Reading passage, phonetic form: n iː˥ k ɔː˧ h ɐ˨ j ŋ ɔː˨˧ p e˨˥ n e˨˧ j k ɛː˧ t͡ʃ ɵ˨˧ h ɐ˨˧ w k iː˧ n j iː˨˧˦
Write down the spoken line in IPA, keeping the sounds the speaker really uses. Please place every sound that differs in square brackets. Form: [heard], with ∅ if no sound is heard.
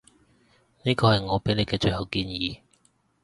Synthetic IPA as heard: n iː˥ k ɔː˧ h ɐ˨ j ŋ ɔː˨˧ p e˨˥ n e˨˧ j k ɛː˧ t͡ʃ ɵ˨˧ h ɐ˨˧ w k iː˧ n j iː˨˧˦